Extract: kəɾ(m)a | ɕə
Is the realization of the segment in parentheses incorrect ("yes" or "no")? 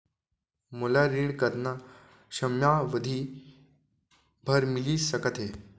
yes